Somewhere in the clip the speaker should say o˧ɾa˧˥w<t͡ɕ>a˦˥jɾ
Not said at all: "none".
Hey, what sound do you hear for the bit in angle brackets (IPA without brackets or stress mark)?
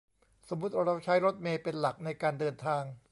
t͡ɕʰ